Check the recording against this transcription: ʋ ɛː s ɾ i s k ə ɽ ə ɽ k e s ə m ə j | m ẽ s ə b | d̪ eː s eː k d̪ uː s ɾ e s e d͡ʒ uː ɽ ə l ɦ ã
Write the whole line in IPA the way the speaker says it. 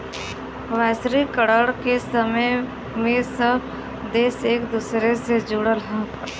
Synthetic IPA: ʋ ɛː s ɾ i k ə ɽ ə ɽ k e s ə m ə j | m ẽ s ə b | d̪ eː s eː k d̪ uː s ɾ e s e d͡ʒ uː ɽ ə l ɦ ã